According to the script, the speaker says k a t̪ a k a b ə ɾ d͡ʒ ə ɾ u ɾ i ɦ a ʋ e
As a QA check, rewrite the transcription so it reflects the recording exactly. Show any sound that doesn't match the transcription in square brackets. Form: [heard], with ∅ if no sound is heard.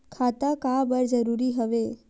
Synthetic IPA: [kʰ] a t̪ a k a b ə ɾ d͡ʒ ə ɾ u ɾ i ɦ [ə] ʋ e